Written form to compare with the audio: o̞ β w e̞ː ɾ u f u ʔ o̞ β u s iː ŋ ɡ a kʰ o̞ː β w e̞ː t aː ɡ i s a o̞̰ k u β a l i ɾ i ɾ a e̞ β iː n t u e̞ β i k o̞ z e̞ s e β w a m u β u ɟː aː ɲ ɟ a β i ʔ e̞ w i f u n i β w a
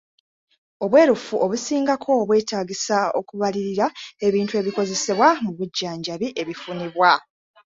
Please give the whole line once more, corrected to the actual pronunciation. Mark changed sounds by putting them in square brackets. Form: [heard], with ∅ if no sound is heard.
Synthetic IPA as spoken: o̞ β w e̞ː ɾ u f u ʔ o̞ β u s iː ŋ ɡ a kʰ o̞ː β w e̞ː t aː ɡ i s a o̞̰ k u β a l i ɾ i ɾ a e̞ β iː n t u e̞ β i k o̞ z e̞ s e β w a m u β u ɟː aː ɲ ɟ a β i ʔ e̞ [β] i f u n i β w a